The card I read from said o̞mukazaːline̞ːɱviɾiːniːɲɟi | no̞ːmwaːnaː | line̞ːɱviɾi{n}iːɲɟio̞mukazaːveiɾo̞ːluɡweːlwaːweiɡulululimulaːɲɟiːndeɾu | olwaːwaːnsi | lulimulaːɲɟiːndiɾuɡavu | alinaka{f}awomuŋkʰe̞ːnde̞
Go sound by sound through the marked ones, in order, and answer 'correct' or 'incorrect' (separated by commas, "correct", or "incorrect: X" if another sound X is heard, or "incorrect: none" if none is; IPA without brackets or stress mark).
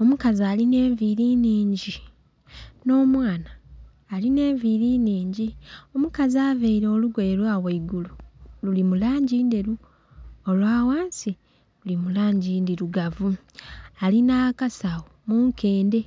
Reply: correct, incorrect: s